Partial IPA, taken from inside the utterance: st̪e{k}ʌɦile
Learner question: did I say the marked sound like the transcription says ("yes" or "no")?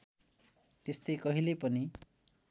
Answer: yes